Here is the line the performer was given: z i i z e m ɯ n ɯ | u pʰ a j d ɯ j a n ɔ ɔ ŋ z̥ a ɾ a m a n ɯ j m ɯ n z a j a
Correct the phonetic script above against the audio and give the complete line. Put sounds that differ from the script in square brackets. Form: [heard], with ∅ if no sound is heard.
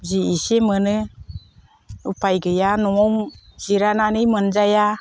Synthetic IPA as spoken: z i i [s] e m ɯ n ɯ | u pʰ a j [ɡ] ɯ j a n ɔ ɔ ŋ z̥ [i] ɾ a [n] a n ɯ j m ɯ n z a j a